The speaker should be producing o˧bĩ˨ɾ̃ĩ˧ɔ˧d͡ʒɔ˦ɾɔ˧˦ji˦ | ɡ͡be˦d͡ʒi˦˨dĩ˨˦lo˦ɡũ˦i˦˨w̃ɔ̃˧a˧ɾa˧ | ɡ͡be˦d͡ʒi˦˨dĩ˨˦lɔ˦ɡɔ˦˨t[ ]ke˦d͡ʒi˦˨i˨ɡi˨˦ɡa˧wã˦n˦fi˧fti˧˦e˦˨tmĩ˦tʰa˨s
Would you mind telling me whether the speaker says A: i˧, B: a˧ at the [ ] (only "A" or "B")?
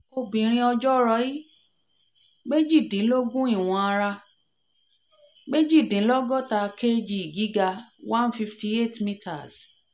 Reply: B